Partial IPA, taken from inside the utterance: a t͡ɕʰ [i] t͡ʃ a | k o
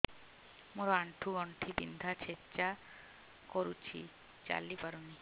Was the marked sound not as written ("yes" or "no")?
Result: yes